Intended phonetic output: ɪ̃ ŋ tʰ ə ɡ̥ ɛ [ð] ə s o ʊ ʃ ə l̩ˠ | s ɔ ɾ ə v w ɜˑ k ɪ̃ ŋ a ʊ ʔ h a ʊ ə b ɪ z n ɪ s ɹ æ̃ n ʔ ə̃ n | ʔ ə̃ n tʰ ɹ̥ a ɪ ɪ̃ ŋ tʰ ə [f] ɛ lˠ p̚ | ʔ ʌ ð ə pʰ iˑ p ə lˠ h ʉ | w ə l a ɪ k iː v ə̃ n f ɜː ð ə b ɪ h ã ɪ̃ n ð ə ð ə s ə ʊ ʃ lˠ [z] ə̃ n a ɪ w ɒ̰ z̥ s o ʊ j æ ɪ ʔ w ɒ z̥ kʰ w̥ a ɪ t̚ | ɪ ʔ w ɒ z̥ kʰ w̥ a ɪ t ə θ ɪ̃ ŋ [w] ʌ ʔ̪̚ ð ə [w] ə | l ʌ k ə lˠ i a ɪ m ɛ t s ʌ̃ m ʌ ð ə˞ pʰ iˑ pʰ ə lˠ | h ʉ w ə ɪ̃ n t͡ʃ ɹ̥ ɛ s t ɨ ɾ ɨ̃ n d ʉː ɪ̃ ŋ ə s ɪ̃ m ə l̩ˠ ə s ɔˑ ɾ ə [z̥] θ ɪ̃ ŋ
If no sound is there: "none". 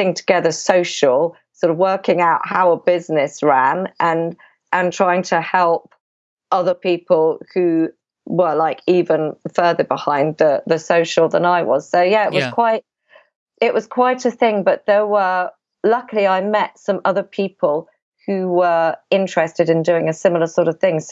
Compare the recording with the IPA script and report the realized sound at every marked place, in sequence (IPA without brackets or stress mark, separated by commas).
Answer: ð, h, ð, b, w, v̥